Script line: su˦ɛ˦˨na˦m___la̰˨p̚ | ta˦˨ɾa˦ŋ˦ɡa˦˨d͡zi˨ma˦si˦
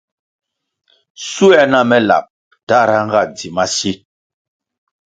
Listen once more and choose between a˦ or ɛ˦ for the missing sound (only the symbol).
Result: ɛ˦